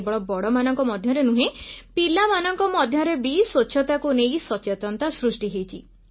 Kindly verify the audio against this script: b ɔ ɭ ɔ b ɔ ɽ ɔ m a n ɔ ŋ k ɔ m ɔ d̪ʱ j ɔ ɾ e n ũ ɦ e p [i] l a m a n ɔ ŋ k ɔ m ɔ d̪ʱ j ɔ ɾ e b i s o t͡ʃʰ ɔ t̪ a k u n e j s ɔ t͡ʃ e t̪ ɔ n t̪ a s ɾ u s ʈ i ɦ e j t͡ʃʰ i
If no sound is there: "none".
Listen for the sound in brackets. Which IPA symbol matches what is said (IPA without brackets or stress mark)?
i